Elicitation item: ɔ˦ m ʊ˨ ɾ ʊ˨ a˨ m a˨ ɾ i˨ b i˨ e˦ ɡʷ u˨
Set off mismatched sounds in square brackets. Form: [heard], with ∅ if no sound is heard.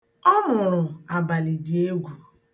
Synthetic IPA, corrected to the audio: ɔ˦ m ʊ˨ ɾ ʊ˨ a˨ [b] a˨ [l] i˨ [d] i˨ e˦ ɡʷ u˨